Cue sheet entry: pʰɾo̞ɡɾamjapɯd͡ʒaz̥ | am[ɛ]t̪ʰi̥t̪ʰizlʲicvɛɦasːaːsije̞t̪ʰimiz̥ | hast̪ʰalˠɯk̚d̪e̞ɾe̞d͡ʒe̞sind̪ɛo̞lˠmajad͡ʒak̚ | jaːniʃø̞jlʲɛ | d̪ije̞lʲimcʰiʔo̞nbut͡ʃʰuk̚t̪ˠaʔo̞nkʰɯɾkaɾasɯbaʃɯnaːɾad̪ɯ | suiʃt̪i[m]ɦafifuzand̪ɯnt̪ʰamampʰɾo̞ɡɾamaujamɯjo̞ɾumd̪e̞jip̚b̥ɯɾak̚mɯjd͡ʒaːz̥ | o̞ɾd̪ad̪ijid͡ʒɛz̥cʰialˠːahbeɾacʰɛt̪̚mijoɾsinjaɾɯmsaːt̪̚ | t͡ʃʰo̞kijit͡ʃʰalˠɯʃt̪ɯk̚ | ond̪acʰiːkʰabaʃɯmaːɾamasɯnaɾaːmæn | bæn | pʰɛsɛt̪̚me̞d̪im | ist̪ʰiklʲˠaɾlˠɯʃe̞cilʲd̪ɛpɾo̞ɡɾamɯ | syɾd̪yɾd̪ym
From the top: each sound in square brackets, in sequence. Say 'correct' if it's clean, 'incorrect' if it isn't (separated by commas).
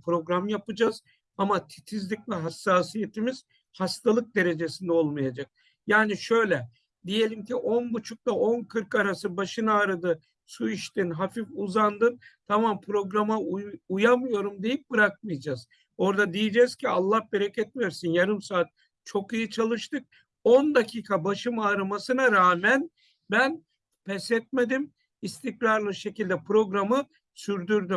incorrect, incorrect